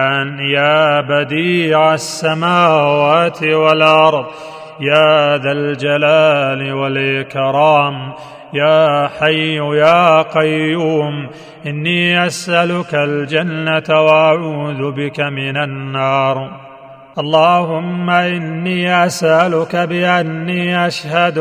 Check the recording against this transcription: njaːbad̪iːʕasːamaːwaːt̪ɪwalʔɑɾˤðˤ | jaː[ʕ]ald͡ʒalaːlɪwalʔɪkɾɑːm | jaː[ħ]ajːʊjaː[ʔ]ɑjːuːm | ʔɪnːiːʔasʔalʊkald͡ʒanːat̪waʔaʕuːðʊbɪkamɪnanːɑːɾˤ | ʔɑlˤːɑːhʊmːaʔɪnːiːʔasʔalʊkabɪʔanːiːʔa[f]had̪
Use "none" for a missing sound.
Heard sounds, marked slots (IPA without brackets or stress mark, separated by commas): ð, ħ, q, ʃ